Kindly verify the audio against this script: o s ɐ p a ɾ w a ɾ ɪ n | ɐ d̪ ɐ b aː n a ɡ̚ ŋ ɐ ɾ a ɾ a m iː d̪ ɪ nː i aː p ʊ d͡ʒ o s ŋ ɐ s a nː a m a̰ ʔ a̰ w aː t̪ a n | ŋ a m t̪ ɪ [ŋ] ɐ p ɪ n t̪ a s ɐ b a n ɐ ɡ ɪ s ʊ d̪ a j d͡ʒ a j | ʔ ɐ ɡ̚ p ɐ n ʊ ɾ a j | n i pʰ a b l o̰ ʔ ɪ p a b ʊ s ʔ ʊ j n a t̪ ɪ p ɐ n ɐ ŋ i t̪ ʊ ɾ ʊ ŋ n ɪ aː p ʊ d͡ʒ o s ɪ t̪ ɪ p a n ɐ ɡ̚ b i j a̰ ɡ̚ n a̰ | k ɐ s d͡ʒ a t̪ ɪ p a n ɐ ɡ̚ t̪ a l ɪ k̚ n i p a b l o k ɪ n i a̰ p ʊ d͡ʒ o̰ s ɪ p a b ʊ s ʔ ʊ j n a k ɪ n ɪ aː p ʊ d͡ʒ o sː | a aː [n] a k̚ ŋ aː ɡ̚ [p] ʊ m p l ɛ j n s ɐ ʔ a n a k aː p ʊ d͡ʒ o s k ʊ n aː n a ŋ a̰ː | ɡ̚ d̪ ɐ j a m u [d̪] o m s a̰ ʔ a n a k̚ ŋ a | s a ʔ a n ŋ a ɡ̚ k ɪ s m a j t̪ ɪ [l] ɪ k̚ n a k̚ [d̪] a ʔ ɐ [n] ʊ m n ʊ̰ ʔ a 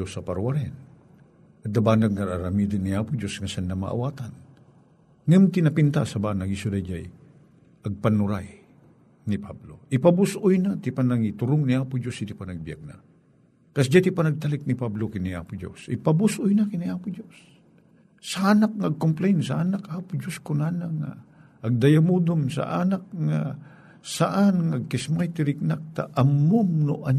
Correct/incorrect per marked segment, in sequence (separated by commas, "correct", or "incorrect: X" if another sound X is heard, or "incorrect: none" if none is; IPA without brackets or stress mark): incorrect: n, correct, incorrect: k, correct, incorrect: ɾ, incorrect: t̪, incorrect: m